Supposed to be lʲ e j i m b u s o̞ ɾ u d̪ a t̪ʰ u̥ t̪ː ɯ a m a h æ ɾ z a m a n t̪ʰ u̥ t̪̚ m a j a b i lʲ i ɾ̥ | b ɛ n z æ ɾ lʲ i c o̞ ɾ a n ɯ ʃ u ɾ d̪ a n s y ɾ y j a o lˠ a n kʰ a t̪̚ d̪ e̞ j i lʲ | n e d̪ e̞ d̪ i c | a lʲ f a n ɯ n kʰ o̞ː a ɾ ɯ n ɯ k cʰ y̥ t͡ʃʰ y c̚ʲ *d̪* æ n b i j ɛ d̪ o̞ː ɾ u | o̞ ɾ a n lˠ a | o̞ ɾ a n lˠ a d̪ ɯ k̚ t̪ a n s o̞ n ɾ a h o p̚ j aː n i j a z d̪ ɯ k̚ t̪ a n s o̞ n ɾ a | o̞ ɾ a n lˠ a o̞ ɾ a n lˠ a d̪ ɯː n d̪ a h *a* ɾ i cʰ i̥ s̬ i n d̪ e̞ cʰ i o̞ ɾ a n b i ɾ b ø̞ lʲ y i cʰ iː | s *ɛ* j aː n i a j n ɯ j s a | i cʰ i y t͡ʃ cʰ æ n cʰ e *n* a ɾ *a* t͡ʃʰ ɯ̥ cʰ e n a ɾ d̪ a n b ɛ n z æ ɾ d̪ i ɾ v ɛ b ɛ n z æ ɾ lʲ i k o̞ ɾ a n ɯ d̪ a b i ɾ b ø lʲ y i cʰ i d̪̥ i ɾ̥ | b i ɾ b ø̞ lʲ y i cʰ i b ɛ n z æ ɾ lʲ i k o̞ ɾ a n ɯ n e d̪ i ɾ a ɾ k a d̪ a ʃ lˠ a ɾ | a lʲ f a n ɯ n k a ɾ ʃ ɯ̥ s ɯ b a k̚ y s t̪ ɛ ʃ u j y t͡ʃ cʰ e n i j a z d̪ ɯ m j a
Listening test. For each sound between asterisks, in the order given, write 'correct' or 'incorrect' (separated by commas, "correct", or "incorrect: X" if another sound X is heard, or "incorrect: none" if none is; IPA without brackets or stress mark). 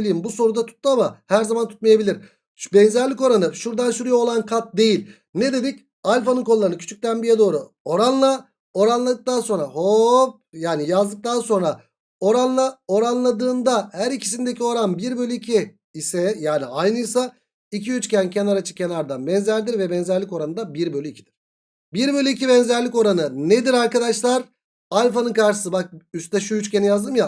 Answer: incorrect: t̪, incorrect: æ, correct, correct, correct